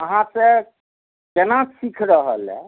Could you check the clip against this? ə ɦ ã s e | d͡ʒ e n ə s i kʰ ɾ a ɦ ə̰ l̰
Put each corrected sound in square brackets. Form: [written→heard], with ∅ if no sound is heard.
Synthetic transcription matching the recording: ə ɦ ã s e | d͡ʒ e n [ə→a] s i kʰ ɾ [a→ə] ɦ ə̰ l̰